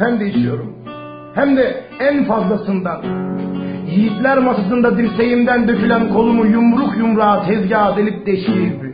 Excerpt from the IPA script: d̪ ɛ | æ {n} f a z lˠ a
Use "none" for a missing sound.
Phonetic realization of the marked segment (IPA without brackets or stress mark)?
n